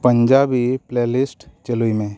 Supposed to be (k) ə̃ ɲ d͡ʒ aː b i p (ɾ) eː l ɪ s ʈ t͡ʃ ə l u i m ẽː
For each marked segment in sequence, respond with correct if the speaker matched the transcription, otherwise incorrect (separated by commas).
incorrect, incorrect